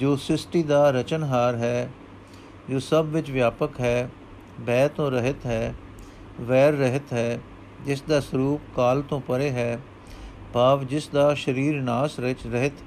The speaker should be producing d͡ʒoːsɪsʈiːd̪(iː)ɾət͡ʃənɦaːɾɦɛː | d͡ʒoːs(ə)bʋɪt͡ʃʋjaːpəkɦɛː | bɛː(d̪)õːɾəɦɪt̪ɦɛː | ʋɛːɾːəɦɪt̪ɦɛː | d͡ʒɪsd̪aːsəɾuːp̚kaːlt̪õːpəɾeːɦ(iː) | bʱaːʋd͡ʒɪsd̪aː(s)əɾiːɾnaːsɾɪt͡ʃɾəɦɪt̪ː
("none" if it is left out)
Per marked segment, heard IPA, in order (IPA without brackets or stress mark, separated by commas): aː, ə, t̪, ɛː, ʃ